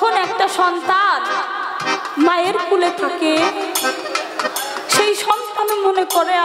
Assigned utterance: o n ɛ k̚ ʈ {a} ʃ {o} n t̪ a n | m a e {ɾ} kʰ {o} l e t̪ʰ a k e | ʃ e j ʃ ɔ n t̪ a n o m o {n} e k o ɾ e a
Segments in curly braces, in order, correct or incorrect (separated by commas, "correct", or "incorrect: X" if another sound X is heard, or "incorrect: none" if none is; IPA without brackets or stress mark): correct, incorrect: ɔ, correct, incorrect: u, correct